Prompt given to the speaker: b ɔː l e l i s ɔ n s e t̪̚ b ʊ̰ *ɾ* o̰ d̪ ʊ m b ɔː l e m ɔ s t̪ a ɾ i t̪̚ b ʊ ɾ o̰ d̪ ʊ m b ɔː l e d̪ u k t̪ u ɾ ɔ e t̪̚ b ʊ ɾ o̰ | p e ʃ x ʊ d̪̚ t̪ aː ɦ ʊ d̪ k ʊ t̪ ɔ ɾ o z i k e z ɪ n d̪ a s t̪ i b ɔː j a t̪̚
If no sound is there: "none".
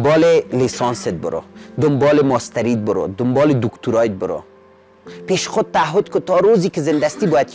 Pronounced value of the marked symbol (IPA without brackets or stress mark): ɾ